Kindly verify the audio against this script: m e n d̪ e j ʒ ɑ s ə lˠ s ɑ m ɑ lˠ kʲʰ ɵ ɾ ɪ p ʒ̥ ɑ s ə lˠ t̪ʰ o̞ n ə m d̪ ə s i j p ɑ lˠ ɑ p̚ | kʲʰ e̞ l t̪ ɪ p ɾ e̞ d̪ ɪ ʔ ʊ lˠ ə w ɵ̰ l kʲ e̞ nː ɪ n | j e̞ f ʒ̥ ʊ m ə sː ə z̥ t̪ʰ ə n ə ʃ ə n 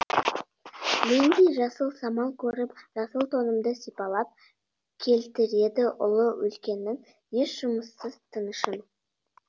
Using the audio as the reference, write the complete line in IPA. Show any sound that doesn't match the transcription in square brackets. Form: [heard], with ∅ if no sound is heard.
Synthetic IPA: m e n d̪ e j ʒ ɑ s ə lˠ s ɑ m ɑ lˠ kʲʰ ɵ ɾ ɪ p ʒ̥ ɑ s ə lˠ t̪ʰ o̞ n ə m d̪ ə s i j p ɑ lˠ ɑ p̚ | kʲʰ e̞ l t̪ ɪ [∅] ɾ e̞ d̪ ɪ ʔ ʊ lˠ ə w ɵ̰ l kʲ e̞ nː ɪ [ŋ] | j e̞ [ʃ] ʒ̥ ʊ m ə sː ə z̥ t̪ʰ ə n ə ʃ ə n

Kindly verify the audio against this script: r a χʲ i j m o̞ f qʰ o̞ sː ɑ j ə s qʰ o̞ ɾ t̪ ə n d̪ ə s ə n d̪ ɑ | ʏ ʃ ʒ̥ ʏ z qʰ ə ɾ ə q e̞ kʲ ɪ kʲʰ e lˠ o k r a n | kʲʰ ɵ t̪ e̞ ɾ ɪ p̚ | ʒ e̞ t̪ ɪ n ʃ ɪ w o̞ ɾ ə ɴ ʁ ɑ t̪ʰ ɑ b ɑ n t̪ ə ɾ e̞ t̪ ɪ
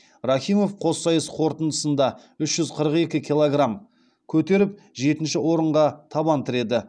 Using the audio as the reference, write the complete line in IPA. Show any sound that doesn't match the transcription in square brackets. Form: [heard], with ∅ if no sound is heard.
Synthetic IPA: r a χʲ i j m o̞ f qʰ o̞ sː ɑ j ə s qʰ o̞ ɾ t̪ ə n d̪ ə s ə n d̪ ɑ | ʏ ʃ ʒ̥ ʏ z qʰ ə ɾ ə q e̞ kʲ ɪ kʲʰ [i] lˠ o [ɡ] r a [m] | kʲʰ ɵ t̪ e̞ ɾ ɪ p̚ | ʒ e̞ t̪ ɪ n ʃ ɪ w o̞ ɾ ə ɴ ʁ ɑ t̪ʰ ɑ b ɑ n t̪ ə ɾ e̞ [d̪] ɪ

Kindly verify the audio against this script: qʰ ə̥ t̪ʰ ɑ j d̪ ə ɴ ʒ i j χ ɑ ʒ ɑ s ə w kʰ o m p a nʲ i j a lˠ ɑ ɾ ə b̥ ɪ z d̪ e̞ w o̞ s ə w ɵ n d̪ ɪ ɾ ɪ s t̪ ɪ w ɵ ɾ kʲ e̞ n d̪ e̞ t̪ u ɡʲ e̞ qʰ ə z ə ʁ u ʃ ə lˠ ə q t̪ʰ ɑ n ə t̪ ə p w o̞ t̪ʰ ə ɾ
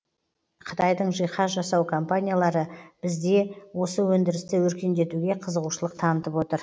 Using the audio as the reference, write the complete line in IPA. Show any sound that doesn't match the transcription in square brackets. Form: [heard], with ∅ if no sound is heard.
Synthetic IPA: qʰ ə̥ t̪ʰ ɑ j d̪ ə ɴ ʒ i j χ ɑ ʒ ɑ s [ɑ] w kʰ o m p a nʲ i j a lˠ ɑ ɾ ə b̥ ɪ z d̪ e̞ w o̞ s ə w ɵ n d̪ ɪ ɾ ɪ s t̪ ɪ w ɵ ɾ kʲ e̞ n d̪ e̞ t̪ u ɡʲ e̞ qʰ ə z ə ʁ u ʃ ə lˠ ə q t̪ʰ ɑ n ə t̪ ə p w o̞ [t̪] ə ɾ

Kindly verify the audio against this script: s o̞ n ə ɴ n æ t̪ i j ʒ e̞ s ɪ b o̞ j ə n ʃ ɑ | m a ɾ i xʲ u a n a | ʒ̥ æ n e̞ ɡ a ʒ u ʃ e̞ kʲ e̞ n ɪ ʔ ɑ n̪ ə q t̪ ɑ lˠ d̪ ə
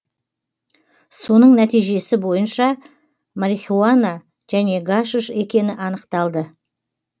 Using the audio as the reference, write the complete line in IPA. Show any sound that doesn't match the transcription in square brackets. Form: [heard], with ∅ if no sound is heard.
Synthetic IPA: s o̞ n ə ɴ n æ t̪ i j ʒ e̞ s ɪ b o̞ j ə n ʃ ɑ | m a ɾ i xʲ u a n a | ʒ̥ æ n e̞ ɡ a [ʃ] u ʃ e̞ kʲ e̞ n ɪ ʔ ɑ n̪ ə q t̪ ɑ lˠ d̪ ə

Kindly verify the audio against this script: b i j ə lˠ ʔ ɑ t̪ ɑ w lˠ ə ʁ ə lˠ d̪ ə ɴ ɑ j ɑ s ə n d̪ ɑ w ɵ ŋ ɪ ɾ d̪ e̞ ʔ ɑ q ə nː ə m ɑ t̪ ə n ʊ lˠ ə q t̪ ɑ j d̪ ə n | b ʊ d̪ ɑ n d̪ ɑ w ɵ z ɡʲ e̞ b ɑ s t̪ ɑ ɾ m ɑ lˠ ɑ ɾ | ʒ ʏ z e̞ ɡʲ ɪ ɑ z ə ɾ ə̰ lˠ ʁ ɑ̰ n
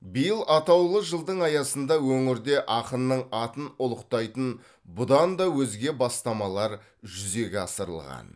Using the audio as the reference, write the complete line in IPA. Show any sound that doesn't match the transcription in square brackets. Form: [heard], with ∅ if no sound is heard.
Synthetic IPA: b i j ə lˠ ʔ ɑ t̪ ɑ w lˠ ə [ʒ] ə lˠ d̪ ə ɴ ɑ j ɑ s ə n d̪ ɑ w ɵ ŋ ɪ ɾ d̪ e̞ ʔ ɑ q ə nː ə [ɴ] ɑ t̪ ə n ʊ lˠ ə q t̪ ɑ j [t̪] ə n | b ʊ d̪ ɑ n d̪ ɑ w ɵ z ɡʲ e̞ b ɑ s t̪ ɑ [∅] m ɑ lˠ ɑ ɾ | ʒ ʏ z e̞ ɡʲ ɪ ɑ [s] ə ɾ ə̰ lˠ ʁ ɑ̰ n

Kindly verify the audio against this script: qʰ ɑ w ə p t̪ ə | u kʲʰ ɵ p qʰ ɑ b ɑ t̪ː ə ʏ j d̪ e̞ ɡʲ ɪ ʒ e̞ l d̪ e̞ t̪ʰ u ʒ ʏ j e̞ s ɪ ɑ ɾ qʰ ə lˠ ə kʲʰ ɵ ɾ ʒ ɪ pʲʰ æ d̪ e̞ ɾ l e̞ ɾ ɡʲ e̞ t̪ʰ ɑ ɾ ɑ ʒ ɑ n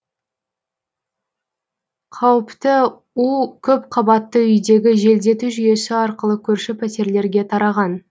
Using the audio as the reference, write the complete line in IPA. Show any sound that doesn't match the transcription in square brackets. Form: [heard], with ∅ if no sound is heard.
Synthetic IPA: qʰ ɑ w ə p t̪ ə | u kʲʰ ɵ p qʰ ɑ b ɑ t̪ː ə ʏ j d̪ e̞ ɡʲ ɪ ʒ e̞ l d̪ e̞ [t̪] u ʒ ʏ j e̞ s ɪ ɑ ɾ [q] ə lˠ ə kʲʰ ɵ ɾ [ʃ] ɪ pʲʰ æ [t̪] e̞ ɾ l e̞ ɾ ɡʲ e̞ t̪ʰ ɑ ɾ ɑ [ʁ] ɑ n

